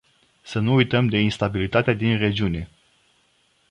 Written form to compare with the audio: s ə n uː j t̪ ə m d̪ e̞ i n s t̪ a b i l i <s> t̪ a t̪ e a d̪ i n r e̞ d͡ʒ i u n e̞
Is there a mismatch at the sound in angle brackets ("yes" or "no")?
yes